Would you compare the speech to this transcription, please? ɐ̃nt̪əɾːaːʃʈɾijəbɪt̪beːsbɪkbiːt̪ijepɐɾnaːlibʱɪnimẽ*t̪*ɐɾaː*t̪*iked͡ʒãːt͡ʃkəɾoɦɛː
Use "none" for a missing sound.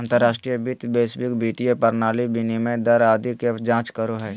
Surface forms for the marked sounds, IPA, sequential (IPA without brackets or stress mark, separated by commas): d̪, d̪